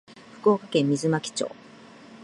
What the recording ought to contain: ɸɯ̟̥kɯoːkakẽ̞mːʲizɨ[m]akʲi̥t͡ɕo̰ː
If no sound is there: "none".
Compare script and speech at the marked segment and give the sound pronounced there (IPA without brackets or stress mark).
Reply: m